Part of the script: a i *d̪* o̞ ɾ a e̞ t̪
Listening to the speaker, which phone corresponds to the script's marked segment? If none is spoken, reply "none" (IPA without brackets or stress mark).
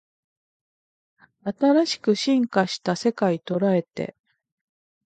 t̪